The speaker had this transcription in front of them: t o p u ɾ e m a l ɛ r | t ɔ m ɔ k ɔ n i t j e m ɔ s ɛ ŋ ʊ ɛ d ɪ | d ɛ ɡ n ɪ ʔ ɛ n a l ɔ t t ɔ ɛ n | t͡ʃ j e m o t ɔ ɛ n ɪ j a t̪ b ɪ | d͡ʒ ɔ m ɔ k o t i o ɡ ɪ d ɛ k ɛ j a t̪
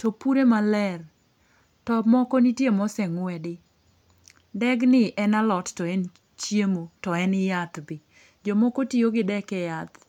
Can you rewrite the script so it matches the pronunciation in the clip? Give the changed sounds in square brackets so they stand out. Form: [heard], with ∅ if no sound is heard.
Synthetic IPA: t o p u ɾ e m a l ɛ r | t ɔ m ɔ k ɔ n i t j e m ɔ s ɛ ŋ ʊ ɛ d ɪ | d ɛ ɡ n ɪ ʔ ɛ n a l ɔ t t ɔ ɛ n | t͡ʃ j e m o t ɔ ɛ n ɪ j a t̪ b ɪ | d͡ʒ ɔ m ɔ k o t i o ɡ ɪ d ɛ k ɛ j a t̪